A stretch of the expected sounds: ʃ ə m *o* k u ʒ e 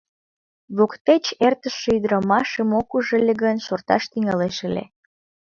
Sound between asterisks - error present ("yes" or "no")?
no